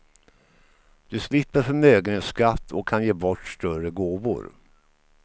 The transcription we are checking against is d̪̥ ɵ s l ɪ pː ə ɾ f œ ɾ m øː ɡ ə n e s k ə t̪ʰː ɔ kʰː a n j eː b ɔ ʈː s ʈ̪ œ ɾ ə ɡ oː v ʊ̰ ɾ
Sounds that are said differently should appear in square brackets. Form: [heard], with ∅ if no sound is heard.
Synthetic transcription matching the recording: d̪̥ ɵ s l ɪ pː ə ɾ f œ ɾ m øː ɡ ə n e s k [a] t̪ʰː ɔ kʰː a n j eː b ɔ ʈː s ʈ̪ œ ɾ ə ɡ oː v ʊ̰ ɾ